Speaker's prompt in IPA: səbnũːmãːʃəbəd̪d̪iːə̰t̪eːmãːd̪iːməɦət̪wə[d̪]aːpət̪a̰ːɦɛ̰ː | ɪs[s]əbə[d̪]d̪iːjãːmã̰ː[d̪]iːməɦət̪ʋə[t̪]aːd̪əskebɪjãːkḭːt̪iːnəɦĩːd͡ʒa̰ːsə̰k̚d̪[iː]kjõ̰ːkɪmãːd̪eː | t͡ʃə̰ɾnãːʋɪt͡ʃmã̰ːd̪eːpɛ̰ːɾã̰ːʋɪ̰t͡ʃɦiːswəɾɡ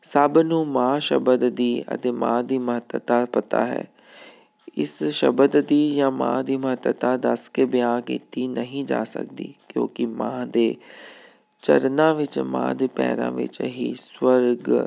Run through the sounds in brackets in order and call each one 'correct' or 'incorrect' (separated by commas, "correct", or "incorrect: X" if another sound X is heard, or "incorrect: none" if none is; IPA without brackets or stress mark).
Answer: incorrect: t̪, incorrect: ʃ, correct, correct, correct, correct